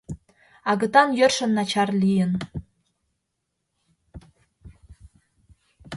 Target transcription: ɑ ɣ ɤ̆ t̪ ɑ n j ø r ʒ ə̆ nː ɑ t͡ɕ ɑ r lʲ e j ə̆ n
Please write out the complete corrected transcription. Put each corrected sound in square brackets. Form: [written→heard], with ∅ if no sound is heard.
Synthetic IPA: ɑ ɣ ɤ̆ t̪ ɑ n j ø r [ʒ→ʃ] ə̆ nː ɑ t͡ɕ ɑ r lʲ [e→i] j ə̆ n